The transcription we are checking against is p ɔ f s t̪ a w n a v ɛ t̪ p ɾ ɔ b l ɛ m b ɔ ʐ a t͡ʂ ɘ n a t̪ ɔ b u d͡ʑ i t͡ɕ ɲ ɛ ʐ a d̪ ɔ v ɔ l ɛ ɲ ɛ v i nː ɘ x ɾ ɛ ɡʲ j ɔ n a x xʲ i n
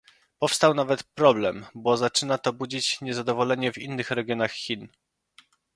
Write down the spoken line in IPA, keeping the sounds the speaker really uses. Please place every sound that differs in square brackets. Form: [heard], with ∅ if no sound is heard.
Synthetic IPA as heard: p ɔ f s t̪ a w n a v ɛ t̪ p ɾ ɔ b l ɛ m b ɔ [z] a t͡ʂ ɘ n a t̪ ɔ b u d͡ʑ i t͡ɕ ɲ ɛ [z] a d̪ ɔ v ɔ l ɛ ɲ ɛ v i nː ɘ x ɾ ɛ ɡʲ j ɔ n a x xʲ i n